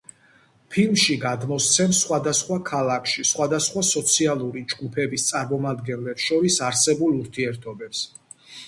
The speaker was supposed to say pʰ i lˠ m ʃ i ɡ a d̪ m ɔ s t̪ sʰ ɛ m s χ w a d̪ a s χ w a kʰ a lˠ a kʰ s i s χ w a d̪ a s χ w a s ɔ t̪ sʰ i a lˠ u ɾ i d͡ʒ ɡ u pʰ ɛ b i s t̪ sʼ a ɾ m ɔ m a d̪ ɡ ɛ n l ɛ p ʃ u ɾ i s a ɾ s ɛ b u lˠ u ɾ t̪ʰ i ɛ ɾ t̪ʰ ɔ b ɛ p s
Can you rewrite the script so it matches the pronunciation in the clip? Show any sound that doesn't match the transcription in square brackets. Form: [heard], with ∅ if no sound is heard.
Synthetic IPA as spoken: pʰ i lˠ m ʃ i ɡ a d̪ m ɔ s t̪ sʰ ɛ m s χ w a d̪ a s χ w a kʰ a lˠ a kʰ [ʃ] i s χ w a d̪ a s χ w a s ɔ t̪ sʰ i a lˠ u ɾ i d͡ʒ ɡ u pʰ ɛ b i s t̪ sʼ a ɾ m ɔ m a d̪ ɡ ɛ n l ɛ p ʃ [ɔ] ɾ i s a ɾ s ɛ b u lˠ u ɾ t̪ʰ i ɛ ɾ t̪ʰ ɔ b ɛ p s